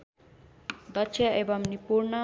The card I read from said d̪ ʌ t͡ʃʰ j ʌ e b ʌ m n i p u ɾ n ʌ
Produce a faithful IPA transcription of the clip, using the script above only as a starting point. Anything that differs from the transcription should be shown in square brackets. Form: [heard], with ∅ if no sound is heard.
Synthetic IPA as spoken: d̪ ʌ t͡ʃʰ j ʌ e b ʌ m n i p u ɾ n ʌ